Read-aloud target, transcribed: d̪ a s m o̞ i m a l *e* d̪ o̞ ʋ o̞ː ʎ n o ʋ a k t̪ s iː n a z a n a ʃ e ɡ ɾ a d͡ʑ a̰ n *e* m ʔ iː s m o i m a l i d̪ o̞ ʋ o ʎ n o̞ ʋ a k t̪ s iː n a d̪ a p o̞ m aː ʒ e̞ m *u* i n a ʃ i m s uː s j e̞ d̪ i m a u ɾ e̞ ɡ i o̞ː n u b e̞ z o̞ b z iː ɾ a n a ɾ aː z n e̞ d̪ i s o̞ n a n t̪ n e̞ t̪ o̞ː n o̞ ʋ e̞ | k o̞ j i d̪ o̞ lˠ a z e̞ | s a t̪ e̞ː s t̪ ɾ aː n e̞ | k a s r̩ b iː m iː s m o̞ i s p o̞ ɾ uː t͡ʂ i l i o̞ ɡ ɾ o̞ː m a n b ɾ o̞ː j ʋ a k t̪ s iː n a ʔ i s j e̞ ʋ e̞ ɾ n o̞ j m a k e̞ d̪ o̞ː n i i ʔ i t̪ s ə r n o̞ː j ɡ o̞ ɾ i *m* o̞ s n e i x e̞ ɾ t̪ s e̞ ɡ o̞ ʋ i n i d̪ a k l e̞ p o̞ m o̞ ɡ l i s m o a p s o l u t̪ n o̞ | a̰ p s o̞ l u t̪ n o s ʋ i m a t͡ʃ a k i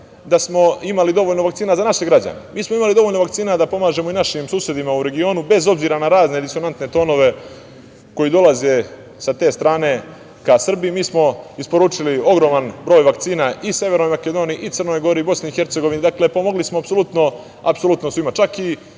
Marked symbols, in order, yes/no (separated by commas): no, yes, no, no